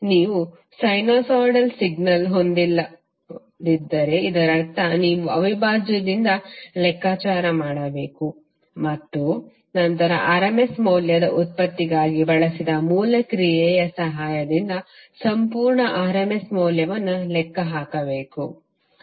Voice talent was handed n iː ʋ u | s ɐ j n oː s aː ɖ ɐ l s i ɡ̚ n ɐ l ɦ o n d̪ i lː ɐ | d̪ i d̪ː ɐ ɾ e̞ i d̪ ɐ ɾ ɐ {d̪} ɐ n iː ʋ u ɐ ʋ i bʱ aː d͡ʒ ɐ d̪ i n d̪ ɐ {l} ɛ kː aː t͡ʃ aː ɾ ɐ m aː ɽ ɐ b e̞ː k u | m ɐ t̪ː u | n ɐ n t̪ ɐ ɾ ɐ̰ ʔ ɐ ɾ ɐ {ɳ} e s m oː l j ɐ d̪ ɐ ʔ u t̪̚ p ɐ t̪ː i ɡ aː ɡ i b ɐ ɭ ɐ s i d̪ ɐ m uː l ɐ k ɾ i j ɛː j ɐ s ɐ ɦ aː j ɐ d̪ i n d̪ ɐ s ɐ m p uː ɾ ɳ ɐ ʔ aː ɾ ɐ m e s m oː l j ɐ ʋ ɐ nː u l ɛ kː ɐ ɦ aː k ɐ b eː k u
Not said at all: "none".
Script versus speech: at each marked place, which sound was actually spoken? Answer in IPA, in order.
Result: t̪, l, m

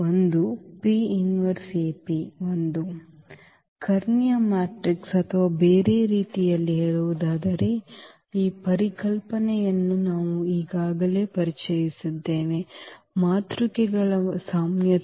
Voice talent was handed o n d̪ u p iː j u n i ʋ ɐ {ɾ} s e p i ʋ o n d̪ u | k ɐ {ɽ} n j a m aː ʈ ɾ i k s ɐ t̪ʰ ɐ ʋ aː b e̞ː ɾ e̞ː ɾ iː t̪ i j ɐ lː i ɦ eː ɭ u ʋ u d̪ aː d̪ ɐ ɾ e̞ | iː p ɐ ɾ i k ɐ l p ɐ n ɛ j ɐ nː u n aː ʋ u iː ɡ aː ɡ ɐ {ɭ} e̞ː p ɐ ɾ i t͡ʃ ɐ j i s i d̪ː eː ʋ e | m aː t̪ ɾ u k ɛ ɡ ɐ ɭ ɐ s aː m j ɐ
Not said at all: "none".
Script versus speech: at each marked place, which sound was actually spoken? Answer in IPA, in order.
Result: ɾ, ɾ, l

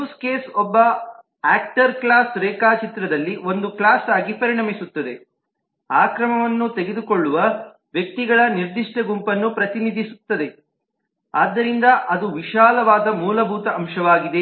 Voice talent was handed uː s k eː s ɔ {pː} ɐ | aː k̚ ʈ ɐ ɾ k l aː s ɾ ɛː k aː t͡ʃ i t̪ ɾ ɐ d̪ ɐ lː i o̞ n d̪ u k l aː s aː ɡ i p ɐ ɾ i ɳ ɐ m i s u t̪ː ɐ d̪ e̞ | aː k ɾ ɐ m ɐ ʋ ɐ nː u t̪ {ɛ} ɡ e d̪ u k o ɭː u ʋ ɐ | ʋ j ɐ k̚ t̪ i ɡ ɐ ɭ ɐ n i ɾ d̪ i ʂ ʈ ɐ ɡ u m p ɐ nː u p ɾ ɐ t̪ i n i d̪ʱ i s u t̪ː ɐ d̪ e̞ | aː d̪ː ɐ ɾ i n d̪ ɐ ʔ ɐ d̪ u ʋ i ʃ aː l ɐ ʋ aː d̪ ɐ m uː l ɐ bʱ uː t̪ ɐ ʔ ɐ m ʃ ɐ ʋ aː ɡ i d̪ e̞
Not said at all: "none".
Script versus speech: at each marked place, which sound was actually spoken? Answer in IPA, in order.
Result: bː, e

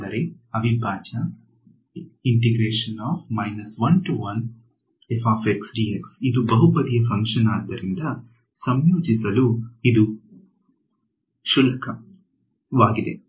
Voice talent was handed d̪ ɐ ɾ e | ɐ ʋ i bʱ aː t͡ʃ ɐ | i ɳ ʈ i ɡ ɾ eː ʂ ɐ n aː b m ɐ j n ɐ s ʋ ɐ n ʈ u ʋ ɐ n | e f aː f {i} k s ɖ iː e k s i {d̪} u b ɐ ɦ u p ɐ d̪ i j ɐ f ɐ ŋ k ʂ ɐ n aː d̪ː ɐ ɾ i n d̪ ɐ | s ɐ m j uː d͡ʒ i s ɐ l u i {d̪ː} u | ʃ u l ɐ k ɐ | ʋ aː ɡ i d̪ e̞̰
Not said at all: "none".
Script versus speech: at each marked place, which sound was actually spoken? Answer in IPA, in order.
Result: e, d̪, d̪

